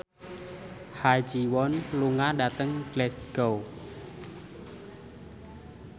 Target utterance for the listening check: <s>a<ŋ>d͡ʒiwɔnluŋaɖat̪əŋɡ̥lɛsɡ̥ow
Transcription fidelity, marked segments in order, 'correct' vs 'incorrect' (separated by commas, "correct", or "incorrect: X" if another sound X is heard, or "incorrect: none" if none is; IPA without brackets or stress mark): incorrect: h, incorrect: none